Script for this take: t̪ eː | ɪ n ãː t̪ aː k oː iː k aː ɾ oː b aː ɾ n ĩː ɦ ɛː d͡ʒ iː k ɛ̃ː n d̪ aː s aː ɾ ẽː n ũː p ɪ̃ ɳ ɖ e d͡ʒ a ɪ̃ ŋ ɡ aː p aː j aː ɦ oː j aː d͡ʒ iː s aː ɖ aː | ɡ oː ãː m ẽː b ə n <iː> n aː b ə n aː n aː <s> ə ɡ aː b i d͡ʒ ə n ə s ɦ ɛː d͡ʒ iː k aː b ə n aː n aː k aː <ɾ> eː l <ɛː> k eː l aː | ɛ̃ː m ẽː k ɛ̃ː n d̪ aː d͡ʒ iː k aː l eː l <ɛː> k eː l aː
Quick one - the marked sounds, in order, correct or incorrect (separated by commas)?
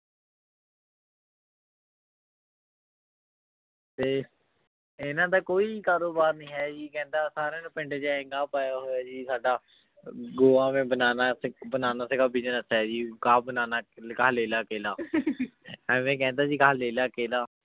incorrect, correct, incorrect, incorrect, incorrect